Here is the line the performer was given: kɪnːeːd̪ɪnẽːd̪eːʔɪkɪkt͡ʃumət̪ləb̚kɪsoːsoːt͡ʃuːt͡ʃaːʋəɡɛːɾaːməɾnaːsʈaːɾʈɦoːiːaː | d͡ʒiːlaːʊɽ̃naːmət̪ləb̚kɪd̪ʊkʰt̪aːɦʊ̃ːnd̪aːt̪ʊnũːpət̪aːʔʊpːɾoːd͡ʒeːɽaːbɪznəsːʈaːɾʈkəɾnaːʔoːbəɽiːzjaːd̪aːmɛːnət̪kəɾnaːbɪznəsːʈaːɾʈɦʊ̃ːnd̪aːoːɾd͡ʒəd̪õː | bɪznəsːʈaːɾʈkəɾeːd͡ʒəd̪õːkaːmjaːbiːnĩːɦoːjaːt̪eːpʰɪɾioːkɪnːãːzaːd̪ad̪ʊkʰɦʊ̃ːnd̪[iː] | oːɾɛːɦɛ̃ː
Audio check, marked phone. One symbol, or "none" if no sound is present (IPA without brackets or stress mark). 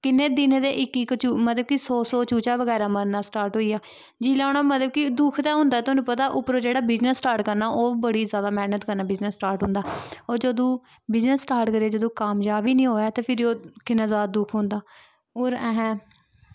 aː